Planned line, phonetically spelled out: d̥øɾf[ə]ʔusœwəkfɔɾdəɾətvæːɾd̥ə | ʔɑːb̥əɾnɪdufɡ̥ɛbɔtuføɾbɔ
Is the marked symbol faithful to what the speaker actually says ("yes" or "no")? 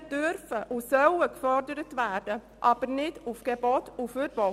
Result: yes